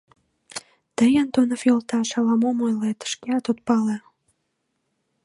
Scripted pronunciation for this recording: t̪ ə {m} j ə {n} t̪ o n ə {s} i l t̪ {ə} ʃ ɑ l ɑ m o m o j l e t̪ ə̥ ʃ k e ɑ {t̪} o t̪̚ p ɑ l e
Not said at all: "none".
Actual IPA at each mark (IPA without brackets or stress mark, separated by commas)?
none, n, f, ɑ, t̪